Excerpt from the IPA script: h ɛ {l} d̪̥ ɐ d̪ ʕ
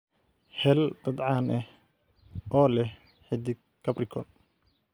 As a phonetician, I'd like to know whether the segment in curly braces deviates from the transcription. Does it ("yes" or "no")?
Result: no